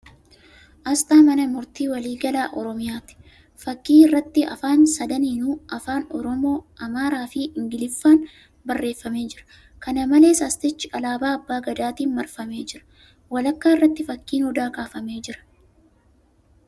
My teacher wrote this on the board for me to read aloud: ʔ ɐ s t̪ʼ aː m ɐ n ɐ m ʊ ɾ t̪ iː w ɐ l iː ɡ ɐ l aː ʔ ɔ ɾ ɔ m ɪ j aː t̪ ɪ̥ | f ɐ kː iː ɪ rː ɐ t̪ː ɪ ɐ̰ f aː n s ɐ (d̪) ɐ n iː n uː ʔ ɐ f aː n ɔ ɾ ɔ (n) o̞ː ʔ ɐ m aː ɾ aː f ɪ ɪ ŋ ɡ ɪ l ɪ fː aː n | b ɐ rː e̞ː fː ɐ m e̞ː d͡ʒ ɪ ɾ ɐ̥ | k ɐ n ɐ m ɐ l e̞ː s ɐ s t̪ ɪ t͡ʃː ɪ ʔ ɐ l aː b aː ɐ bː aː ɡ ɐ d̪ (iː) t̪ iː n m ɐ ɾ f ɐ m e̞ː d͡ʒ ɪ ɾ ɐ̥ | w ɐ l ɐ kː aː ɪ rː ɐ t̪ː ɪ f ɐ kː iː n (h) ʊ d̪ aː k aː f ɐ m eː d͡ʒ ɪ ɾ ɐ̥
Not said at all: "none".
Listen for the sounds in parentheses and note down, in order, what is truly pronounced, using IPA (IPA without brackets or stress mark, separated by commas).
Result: d̪, m, aː, h